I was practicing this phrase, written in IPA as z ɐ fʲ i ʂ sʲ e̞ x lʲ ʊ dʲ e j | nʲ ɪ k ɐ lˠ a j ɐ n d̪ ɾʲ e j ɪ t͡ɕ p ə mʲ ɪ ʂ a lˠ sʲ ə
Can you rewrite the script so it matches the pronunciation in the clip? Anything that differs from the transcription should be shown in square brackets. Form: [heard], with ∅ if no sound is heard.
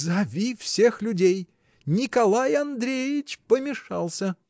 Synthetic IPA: z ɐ [vʲ] i [f] sʲ e̞ x lʲ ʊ dʲ e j | nʲ ɪ k ɐ lˠ a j ɐ n d̪ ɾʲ e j ɪ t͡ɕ p ə mʲ ɪ ʂ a lˠ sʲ ə